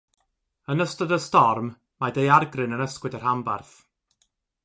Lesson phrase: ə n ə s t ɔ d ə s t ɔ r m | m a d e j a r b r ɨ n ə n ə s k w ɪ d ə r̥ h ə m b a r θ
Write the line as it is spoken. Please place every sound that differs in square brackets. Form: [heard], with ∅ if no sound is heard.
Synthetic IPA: ə n ə s t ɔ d ə s t ɔ r m | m a d e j a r [ɡ] r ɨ n ə n ə s k w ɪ d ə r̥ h [a] m b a r θ